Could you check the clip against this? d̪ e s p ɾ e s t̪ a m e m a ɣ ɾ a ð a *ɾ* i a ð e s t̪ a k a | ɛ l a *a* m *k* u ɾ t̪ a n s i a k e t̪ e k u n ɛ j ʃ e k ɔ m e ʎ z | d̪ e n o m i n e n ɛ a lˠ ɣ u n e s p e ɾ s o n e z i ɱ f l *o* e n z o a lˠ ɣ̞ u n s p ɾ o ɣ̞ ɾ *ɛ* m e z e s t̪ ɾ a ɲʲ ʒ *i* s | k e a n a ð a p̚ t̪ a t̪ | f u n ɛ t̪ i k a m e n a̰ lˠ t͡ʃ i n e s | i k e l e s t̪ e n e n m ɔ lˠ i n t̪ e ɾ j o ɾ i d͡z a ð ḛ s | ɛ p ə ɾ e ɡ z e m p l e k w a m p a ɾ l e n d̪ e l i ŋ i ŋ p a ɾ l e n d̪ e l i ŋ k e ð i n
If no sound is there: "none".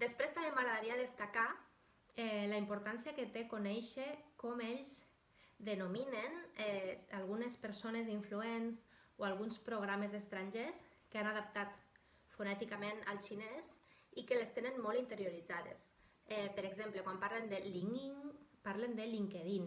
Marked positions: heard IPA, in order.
ɾ, i, p, u, a, e

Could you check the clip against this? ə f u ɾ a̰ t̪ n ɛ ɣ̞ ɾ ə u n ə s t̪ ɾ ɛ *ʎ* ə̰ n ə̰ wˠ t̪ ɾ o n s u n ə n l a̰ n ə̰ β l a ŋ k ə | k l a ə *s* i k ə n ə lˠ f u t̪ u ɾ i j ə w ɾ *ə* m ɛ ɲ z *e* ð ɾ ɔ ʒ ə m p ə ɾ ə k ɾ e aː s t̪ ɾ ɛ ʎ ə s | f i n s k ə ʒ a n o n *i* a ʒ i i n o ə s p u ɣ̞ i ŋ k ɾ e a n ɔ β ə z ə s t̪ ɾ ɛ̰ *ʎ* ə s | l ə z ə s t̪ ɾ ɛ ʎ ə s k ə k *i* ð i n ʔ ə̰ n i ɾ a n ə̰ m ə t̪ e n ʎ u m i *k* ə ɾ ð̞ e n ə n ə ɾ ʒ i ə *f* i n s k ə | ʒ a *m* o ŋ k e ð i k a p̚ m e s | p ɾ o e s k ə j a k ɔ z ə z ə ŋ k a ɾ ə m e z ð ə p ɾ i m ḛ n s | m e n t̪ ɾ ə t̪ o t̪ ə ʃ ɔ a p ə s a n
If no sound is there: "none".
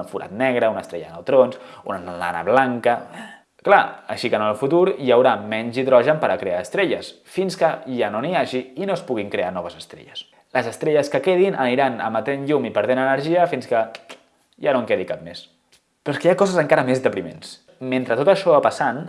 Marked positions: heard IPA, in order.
ʎ, ʃ, a, i, i, ʎ, e, p, f, n

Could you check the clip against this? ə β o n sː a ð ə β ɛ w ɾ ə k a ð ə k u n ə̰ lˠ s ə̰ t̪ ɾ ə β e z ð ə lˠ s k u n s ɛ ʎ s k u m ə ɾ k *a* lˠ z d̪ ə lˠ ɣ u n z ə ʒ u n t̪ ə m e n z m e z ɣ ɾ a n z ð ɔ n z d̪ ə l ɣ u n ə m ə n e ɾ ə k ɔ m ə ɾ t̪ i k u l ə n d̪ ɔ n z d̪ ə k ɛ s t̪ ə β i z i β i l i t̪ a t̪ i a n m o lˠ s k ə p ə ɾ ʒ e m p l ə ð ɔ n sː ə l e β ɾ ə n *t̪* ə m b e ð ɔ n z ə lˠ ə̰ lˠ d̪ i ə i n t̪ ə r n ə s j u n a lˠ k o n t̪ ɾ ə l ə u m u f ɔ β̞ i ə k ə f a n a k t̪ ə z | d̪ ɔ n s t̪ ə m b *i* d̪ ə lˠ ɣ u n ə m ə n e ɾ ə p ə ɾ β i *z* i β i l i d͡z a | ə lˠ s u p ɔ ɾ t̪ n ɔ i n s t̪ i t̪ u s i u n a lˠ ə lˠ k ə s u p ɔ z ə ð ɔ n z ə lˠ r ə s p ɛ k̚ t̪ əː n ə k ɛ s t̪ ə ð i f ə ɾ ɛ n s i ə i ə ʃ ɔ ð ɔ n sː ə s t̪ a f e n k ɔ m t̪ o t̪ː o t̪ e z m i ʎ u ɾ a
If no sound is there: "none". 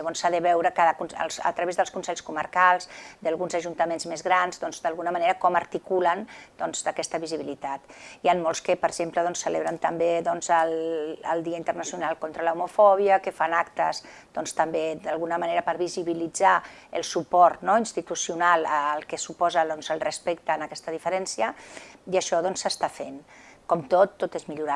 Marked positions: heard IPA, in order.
a, t̪, e, z

